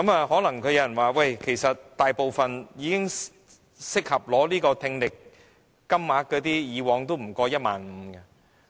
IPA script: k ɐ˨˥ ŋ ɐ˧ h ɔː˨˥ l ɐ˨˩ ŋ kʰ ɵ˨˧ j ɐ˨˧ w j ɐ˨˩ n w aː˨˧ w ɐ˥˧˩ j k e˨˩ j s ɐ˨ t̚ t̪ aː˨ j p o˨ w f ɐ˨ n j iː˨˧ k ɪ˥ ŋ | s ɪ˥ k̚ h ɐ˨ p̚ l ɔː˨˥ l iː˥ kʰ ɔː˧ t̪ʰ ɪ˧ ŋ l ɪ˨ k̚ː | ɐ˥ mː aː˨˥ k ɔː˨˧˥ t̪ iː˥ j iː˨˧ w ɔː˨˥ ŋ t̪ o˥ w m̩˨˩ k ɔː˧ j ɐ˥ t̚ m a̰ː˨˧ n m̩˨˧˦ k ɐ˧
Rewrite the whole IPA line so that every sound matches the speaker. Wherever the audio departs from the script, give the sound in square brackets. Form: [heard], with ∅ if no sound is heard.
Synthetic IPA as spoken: k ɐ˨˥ [m] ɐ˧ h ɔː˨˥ l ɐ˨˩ ŋ kʰ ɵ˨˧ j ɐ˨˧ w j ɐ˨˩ n w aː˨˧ w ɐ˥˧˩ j [kʰ] e˨˩ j s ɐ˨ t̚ t̪ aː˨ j p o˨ w f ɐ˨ n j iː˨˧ k ɪ˥ ŋ | s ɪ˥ k̚ h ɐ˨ p̚ l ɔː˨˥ l iː˥ [k] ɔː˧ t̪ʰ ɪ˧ ŋ l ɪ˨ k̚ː | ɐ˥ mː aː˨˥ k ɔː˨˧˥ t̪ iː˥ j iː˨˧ w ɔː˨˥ ŋ t̪ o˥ w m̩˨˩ k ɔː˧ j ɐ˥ t̚ m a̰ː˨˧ n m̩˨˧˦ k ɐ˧